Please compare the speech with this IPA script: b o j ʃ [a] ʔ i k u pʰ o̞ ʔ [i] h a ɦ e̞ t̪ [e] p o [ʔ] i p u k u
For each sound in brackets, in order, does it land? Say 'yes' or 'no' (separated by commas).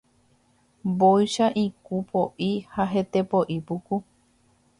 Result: yes, yes, yes, yes